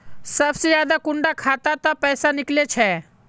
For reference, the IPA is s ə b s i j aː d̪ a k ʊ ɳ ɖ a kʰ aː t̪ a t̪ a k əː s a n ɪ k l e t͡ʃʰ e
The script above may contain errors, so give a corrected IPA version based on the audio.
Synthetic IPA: s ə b s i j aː d̪ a k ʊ ɳ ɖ a kʰ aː t̪ a t̪ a p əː s a n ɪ k l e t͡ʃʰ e